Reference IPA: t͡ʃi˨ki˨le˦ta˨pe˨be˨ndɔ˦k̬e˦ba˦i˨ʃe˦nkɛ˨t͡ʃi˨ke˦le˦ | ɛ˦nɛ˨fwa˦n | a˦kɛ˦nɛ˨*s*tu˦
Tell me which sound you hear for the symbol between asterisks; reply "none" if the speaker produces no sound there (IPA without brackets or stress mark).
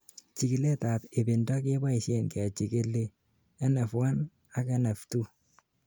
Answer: f